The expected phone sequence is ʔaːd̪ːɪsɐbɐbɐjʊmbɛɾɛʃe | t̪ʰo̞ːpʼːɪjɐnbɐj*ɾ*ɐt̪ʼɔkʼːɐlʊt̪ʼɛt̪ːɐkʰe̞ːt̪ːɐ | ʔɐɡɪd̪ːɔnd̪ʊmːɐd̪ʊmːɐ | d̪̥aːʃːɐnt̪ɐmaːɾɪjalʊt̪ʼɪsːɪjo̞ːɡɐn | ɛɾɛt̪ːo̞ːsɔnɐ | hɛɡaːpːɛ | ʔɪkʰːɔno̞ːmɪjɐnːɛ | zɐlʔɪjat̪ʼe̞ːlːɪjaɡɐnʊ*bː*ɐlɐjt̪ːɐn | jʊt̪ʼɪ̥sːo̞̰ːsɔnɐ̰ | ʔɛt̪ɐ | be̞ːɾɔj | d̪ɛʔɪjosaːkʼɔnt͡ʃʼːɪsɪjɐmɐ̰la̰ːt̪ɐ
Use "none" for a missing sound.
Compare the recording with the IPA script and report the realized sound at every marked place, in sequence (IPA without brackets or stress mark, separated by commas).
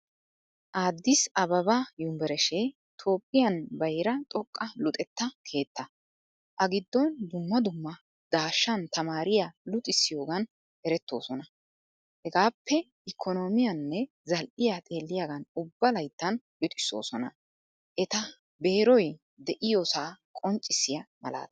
ɾ, bː